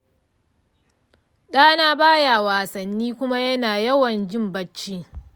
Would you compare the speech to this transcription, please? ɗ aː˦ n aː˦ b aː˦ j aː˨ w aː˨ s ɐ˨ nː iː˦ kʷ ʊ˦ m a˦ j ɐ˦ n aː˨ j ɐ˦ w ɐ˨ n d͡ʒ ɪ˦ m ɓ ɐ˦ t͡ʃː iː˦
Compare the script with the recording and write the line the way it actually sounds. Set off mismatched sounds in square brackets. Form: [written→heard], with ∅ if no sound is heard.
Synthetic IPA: ɗ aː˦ n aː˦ b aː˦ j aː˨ w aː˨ s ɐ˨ nː iː˦ kʷ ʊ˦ m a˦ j ɐ˦ n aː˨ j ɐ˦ w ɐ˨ n d͡ʒ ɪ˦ m [ɓ→b] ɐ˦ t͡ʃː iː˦

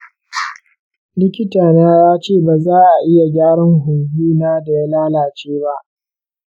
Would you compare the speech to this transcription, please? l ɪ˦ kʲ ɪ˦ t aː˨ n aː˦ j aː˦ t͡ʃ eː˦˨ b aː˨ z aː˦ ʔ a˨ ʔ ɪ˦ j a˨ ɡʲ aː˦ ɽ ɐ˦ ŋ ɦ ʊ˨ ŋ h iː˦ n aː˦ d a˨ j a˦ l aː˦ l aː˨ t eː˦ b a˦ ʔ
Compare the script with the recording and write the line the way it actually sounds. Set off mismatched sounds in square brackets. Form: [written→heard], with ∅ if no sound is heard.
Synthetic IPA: l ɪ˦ kʲ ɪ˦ t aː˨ n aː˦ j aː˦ t͡ʃ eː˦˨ b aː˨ z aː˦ ʔ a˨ ʔ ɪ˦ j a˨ ɡʲ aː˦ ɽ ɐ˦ ŋ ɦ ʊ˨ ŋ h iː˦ n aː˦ d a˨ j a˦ l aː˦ l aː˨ [t→t͡ʃ] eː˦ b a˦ ʔ

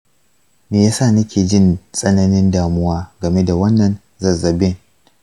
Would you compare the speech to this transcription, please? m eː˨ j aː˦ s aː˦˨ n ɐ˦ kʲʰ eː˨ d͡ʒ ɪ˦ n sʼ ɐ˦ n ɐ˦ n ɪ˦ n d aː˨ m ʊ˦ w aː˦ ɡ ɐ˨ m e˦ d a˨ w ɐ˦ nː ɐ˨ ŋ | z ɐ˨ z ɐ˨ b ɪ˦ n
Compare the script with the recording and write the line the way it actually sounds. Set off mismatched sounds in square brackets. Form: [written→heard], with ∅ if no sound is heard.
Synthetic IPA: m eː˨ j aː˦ s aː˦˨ n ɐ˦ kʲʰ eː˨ d͡ʒ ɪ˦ n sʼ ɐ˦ n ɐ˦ n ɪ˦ n d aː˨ m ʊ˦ w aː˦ ɡ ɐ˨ m e˦ d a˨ w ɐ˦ nː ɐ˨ [ŋ→n] | z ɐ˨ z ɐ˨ b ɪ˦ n

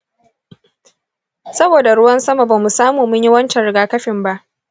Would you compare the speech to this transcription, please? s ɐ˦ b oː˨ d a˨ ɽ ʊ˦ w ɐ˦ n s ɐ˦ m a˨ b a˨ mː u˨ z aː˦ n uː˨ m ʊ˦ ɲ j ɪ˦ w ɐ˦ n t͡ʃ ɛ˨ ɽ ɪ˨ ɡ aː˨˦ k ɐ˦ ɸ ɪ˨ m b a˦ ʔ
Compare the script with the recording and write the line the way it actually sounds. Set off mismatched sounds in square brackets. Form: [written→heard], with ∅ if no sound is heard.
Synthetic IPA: s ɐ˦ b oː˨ d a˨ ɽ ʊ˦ w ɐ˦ n s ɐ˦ m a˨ b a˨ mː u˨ [z→s] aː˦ [n→m] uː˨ m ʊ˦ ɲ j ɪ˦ w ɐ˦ n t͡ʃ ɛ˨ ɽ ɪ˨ ɡ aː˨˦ k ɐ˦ ɸ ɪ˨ m b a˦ ʔ

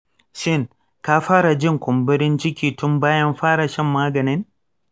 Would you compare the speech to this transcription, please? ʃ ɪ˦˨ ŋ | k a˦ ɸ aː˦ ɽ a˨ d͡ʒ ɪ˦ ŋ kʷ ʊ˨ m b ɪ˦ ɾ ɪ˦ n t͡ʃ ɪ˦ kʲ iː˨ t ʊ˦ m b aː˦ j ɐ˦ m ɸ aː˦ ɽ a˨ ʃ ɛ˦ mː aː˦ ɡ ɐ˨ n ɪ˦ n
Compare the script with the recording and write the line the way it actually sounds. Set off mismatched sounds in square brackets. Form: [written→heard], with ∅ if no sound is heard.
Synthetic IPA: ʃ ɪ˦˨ ŋ | k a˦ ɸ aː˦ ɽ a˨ d͡ʒ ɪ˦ ŋ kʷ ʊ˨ m b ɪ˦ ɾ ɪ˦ n t͡ʃ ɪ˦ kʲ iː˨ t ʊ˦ m b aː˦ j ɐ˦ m ɸ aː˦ ɽ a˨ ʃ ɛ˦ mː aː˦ ɡ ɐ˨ n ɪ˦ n

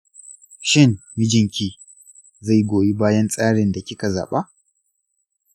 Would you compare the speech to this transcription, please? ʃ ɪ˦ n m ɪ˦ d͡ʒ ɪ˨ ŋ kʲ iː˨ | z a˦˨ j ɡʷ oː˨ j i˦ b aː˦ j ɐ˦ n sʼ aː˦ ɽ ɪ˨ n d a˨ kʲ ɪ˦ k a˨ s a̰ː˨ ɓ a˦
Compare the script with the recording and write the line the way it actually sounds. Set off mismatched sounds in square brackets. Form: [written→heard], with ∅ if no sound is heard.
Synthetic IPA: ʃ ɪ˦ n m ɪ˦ d͡ʒ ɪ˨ ŋ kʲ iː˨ | z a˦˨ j ɡʷ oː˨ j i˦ b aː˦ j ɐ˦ n sʼ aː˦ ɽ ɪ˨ n d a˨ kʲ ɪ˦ k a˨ [s→z] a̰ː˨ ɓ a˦

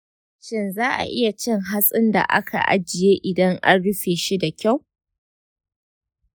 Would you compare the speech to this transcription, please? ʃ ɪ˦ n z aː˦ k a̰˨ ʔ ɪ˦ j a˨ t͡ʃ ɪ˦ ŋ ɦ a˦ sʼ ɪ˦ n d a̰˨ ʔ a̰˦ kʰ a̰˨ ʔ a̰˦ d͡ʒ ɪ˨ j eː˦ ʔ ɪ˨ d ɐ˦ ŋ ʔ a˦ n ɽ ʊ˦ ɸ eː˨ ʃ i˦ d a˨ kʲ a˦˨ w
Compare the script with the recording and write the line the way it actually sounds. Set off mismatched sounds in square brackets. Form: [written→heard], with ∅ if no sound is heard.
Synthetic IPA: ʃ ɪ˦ n z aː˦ [k→ʔ] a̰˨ ʔ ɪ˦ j a˨ t͡ʃ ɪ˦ ŋ ɦ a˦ sʼ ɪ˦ n d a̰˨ ʔ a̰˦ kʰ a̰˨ ʔ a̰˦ d͡ʒ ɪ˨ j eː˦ ʔ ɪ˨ d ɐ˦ ŋ ʔ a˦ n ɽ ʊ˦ ɸ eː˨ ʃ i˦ d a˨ kʲ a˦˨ w

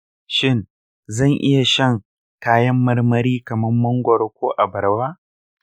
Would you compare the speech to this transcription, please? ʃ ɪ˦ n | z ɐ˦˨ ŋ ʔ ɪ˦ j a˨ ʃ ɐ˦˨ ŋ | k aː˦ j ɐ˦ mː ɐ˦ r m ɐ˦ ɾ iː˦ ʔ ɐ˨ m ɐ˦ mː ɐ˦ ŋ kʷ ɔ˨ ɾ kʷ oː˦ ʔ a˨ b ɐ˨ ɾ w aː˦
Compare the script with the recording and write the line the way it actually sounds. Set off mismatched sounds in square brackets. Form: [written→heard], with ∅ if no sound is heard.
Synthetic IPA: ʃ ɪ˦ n | z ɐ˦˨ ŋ ʔ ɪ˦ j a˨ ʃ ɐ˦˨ ŋ | k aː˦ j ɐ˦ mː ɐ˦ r m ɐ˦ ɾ iː˦ [ʔ→k] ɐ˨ m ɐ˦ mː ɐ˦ ŋ [kʷ→ɡʷ] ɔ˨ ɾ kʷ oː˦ ʔ a˨ b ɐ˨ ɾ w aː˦

